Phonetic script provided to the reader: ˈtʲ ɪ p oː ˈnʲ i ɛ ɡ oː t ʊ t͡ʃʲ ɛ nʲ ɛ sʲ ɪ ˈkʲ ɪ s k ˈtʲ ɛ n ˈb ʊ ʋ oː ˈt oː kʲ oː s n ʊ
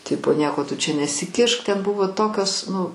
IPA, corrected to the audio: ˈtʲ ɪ p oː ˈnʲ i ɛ k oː t ʊ t͡ʃʲ ɛ nʲ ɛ sʲ ɪ ˈkʲ ɪ ʃ k ˈtʲ ɛ n ˈb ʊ ʋ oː ˈt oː kʲ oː s n ʊ